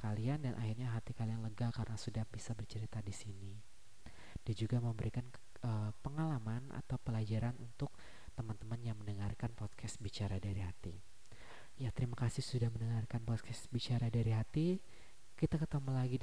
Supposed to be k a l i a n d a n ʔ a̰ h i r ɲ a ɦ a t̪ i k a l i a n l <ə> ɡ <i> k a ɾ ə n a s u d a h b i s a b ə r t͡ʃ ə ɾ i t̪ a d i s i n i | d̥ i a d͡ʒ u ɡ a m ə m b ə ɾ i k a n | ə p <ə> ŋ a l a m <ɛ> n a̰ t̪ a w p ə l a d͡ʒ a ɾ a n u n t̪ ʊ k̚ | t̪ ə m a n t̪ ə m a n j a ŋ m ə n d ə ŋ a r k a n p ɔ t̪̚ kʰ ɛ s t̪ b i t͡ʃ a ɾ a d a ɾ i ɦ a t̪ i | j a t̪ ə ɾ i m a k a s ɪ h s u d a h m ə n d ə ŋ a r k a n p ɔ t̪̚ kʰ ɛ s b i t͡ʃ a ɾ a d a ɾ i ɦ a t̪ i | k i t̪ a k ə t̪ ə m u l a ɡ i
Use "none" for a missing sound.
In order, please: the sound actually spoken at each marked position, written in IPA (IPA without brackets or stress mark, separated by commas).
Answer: ə, a, ə, a